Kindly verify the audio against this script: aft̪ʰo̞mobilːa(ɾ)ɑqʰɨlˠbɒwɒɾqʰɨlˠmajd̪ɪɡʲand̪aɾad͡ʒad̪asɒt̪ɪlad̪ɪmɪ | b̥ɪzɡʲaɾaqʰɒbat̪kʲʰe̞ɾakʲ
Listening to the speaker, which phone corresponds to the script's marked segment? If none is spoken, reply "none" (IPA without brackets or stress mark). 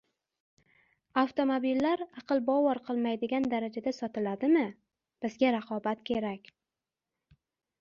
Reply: ɾ